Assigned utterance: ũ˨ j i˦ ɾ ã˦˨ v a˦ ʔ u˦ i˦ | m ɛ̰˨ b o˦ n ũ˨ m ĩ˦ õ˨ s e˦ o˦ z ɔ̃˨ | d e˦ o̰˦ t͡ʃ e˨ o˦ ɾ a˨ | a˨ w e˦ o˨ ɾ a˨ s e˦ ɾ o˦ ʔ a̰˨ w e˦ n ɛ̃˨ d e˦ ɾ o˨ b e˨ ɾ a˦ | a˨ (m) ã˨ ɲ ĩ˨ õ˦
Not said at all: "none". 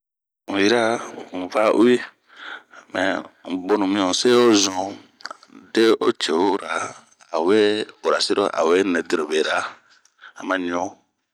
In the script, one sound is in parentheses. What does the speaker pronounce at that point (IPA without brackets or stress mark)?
m